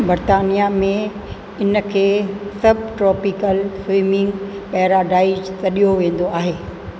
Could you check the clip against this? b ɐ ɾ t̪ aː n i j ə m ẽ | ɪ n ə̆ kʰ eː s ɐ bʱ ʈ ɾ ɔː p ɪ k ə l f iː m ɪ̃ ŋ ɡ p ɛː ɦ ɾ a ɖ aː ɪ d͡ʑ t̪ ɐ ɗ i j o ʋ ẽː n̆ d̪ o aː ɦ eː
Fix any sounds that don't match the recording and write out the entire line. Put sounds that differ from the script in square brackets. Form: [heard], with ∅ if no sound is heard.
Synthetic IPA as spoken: b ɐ ɾ t̪ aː n i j [a] m ẽ | ɪ n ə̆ kʰ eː s ɐ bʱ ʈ ɾ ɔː p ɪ k ə l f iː m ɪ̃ ŋ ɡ p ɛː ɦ ɾ a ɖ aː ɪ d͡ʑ t̪ ɐ ɗ i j o ʋ ẽː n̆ d̪ o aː ɦ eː